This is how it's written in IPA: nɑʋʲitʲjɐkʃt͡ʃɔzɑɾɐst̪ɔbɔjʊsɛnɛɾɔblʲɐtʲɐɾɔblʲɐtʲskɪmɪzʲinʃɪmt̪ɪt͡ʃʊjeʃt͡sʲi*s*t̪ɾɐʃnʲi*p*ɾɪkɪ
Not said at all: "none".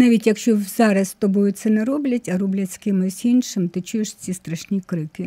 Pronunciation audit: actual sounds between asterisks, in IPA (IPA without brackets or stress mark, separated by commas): s, k